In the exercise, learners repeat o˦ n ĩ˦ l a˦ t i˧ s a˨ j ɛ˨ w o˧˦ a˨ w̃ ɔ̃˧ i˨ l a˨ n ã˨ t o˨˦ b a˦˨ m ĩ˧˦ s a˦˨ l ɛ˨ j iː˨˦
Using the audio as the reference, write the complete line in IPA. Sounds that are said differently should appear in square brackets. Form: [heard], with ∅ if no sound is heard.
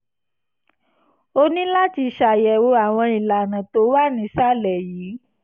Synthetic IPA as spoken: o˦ n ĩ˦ l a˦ t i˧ [ʃ] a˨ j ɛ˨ w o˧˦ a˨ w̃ ɔ̃˧ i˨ l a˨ n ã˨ t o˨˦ [w] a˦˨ [n] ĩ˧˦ s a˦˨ l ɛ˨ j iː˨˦